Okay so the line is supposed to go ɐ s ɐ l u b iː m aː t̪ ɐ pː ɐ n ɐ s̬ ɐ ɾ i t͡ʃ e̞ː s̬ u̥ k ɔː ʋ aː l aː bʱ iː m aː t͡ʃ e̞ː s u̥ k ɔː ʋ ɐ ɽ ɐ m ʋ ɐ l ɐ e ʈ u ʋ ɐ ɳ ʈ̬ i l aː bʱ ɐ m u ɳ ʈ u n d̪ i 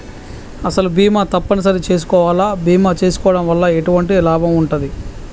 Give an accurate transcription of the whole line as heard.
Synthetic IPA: ɐ s ɐ l u b iː m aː t̪ ɐ pː ɐ n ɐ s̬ ɐ ɾ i t͡ʃ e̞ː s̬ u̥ k ɔː ʋ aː l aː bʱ iː m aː t͡ʃ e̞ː s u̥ k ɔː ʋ ɐ ɽ ɐ m ʋ ɐ lː ɐ e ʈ u ʋ ɐ ɳ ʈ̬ i l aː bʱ ɐ m u ɳ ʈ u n d̪ i